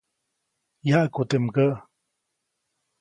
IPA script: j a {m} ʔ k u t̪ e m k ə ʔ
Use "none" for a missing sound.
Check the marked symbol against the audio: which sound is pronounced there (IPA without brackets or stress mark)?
none